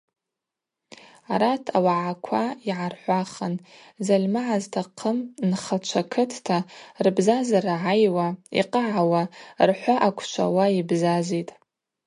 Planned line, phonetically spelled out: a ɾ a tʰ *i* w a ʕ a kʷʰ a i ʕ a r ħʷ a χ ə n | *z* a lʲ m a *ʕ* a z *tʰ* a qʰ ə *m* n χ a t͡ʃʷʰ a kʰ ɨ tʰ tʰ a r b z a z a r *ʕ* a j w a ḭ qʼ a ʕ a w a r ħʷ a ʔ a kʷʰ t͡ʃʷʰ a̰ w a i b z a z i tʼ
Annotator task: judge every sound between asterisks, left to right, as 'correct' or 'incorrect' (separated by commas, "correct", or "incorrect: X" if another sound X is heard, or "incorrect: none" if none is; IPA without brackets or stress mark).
incorrect: a, correct, correct, correct, correct, correct